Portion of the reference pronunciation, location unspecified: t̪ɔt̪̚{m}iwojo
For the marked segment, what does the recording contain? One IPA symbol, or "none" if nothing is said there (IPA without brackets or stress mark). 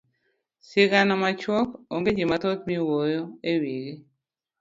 m